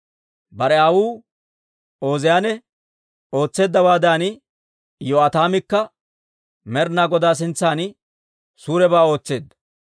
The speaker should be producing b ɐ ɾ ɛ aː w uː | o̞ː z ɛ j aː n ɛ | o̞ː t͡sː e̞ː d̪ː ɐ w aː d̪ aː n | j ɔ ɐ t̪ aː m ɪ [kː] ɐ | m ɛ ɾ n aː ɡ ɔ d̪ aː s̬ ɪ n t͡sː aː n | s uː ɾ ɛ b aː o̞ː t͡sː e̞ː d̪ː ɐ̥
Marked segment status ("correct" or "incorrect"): correct